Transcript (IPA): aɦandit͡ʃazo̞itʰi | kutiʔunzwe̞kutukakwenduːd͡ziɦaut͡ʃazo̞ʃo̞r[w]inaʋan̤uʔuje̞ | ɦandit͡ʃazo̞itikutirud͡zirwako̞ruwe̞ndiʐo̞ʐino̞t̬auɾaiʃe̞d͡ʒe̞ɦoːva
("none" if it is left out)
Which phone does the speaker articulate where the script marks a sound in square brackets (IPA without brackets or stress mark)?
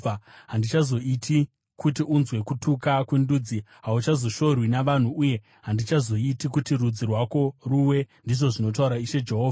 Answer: w